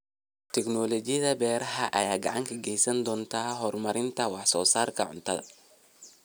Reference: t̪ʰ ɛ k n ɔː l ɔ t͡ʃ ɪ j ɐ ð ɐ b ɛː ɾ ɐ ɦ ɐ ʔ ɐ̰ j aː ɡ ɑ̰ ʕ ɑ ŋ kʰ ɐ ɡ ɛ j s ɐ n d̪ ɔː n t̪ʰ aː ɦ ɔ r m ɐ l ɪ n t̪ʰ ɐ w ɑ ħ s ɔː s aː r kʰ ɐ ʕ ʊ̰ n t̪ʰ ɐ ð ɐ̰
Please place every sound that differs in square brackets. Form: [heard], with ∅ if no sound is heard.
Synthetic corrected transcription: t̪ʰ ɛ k n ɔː l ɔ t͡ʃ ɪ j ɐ ð ɐ b ɛː ɾ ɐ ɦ ɐ ʔ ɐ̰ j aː ɡ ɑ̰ ʕ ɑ ŋ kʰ ɐ ɡ ɛ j s ɐ n d̪ ɔː n t̪ʰ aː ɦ ɔ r m ɐ [ɾ] ɪ n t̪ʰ ɐ w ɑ ħ s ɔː s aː r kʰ ɐ ʕ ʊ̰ n t̪ʰ ɐ ð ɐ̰